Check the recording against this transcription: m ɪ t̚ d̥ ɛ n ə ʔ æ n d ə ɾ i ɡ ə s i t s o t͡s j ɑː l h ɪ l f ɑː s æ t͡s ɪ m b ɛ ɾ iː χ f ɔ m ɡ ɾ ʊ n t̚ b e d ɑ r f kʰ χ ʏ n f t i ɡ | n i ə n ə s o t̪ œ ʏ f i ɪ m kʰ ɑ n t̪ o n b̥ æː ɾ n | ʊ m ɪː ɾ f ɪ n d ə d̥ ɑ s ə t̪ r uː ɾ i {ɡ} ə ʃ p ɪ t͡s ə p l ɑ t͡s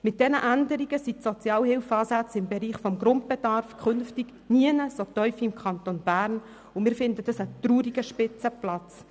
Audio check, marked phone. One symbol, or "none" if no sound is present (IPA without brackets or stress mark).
ɡ